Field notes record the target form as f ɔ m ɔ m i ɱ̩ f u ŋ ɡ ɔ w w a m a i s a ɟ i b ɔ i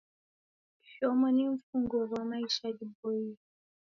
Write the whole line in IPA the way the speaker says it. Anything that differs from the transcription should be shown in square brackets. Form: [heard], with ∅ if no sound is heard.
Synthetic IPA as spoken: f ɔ m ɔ [n] i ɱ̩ f u ŋ ɡ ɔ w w a m a i [ʃ] a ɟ i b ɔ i

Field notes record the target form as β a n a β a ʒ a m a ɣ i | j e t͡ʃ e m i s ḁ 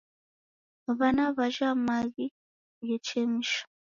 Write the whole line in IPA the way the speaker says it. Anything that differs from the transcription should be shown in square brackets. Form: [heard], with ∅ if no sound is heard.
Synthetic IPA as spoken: β a n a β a ʒ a m a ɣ i | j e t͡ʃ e m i [ʃ] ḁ

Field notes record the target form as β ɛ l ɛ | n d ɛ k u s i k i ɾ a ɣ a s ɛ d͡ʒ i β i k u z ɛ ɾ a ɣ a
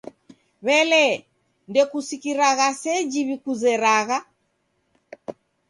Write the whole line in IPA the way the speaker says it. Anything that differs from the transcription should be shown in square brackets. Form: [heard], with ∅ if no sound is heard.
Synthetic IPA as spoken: β ɛ l ɛ | n d ɛ k u s i k i ɾ a ɣ a s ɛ d͡ʒ i β i k u z ɛ ɾ a ɣ a

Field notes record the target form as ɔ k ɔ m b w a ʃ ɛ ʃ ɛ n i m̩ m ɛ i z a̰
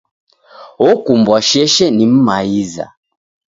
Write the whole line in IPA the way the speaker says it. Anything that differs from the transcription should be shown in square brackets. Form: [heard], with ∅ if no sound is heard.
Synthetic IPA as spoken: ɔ k [u] m b w a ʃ ɛ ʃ ɛ n i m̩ m [a] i z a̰

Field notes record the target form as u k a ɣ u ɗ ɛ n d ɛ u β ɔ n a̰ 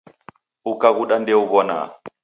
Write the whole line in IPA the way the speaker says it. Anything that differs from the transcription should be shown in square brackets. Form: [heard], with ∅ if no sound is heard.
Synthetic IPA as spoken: u k a ɣ u ɗ [a] n d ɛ u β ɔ n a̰

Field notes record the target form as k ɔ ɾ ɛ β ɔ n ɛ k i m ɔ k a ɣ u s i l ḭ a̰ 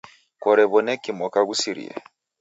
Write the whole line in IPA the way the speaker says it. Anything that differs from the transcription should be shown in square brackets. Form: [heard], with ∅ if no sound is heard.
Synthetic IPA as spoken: k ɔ ɾ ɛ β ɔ n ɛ k i m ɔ k a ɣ u s i [ɾ] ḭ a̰

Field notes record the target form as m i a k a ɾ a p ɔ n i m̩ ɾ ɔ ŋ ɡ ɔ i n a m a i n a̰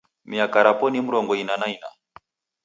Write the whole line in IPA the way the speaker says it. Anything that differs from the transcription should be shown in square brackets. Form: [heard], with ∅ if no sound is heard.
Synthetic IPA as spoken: m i a k a ɾ a p ɔ n i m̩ ɾ ɔ ŋ ɡ ɔ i n a [n] a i n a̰

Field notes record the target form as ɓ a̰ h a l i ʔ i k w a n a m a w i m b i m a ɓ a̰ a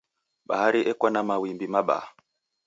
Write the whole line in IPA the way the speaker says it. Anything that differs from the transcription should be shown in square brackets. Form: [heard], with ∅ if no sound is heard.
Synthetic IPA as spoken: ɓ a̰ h a [ɾ] i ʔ [ɛ] k w a n a m a w i m b i m a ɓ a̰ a

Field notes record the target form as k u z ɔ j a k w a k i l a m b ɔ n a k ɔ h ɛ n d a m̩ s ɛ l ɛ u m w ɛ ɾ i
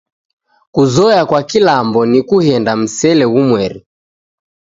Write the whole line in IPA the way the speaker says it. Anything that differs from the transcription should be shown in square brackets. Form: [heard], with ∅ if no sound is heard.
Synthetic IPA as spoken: k u z ɔ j a k w a k i l a m b ɔ n [i] k [u] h ɛ n d a m̩ s ɛ l ɛ u m w ɛ ɾ i

